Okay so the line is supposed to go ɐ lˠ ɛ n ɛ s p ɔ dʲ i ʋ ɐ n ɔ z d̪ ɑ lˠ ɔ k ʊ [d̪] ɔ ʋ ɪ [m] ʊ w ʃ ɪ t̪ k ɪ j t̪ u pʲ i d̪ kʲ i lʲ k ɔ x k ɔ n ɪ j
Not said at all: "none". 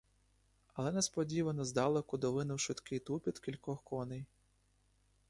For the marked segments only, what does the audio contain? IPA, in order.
d̪, n

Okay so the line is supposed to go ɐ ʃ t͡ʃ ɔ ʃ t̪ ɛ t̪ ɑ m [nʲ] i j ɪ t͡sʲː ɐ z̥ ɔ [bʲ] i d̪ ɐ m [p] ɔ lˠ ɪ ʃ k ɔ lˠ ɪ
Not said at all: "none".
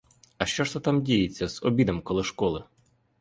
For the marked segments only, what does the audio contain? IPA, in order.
dʲ, bʲ, k

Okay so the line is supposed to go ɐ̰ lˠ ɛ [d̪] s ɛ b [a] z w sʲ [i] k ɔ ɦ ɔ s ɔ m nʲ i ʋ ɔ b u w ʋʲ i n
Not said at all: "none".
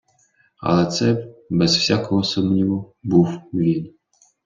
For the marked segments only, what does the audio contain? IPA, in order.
t̪, ɛ, a

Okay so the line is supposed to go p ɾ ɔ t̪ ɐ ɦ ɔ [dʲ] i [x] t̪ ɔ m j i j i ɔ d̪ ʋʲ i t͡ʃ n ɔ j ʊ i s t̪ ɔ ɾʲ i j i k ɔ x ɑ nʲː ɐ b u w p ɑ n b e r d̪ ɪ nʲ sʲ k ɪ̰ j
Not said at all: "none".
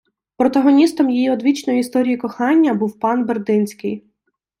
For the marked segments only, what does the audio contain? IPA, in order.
nʲ, s

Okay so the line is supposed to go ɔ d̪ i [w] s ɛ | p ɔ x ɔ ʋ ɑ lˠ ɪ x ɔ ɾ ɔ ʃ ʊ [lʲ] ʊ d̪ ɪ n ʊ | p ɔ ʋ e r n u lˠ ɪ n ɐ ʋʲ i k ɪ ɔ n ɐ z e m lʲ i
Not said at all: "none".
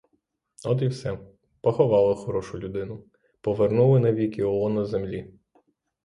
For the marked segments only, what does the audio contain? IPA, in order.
w, lʲ

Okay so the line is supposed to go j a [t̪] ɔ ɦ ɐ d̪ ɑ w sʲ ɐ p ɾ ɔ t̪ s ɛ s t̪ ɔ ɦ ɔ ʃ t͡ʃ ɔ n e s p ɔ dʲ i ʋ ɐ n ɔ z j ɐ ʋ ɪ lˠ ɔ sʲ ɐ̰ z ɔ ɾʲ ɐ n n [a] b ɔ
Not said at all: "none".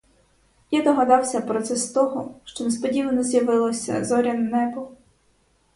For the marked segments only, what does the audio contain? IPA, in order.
d̪, ɛ

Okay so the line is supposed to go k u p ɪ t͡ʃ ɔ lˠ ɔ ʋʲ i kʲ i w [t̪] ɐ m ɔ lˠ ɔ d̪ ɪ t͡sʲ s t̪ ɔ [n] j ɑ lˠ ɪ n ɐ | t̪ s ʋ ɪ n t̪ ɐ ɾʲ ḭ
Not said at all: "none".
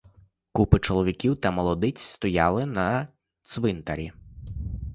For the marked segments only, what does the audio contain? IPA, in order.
t̪, none

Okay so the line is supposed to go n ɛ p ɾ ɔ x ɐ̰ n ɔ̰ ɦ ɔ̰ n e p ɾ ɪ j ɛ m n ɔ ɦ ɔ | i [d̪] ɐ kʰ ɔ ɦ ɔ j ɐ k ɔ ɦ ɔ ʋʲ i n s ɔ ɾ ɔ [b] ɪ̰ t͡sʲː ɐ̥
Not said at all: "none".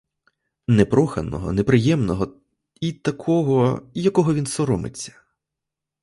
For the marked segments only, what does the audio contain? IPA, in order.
t̪, m

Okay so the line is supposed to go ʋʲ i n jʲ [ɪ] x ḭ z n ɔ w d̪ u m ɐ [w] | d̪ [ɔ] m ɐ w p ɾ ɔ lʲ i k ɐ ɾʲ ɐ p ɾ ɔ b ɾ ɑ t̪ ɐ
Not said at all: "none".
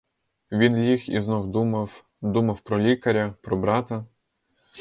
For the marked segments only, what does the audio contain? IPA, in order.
i, w, u

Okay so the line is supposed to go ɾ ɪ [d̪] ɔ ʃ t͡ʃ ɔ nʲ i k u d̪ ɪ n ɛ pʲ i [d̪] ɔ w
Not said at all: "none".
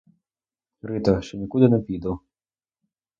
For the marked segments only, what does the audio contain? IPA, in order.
t̪, d̪

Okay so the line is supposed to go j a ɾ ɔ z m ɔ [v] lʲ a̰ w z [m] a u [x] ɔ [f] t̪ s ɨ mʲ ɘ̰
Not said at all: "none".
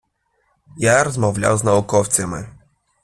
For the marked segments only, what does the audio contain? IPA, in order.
v, n, k, f

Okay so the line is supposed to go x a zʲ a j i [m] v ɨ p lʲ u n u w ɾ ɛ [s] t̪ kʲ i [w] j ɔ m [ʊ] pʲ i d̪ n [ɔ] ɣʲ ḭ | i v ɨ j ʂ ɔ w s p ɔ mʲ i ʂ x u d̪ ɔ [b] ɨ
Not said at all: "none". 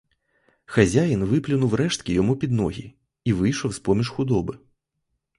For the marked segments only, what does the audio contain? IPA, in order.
n, ʂ, none, u, ɔ, b

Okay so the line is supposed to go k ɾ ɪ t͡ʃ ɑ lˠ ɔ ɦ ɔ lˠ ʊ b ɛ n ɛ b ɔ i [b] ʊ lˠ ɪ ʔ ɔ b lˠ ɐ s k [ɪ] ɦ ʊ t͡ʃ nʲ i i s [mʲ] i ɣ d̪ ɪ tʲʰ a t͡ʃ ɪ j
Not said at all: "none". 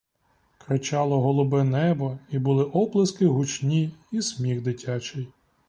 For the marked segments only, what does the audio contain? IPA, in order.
b, ɪ, mʲ

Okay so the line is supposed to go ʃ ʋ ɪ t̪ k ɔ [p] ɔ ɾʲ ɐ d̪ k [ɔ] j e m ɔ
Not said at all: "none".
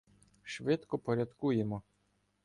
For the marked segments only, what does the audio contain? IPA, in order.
p, u

